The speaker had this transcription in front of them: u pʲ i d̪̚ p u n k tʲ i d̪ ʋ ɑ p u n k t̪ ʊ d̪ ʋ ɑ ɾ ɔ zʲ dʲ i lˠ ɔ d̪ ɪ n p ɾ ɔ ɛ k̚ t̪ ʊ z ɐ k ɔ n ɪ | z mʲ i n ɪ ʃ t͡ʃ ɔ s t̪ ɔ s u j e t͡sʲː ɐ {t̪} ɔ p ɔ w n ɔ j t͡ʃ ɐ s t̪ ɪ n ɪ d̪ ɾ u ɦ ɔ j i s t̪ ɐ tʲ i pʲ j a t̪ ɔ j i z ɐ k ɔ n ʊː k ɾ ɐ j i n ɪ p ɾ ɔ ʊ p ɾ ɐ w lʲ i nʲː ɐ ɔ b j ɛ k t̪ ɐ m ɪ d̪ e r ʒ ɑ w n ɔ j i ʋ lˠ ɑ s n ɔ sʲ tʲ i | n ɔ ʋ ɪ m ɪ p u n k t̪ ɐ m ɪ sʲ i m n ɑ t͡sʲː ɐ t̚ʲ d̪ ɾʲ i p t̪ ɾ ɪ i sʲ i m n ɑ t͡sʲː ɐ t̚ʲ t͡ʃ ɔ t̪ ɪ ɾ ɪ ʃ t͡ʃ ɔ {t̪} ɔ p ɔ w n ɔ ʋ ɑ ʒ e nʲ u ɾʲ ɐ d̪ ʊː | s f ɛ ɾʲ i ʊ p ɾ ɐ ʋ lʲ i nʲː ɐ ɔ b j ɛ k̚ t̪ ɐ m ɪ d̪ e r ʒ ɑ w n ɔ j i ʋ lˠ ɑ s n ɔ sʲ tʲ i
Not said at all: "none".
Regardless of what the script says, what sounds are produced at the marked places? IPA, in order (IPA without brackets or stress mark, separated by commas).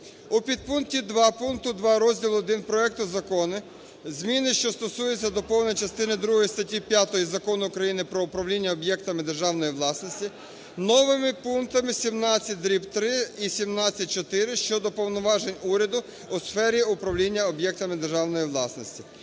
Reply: d̪, d̪